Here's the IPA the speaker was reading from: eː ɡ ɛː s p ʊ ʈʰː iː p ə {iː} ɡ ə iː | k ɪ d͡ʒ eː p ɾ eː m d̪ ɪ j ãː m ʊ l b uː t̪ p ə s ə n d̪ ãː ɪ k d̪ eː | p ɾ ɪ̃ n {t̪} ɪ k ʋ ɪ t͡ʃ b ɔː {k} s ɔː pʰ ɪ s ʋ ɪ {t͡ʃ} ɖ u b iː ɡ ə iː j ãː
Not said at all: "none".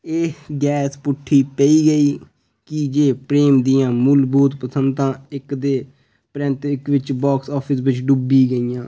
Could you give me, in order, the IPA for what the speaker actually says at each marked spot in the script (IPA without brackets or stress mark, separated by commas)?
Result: iː, t̪, k, t͡ʃ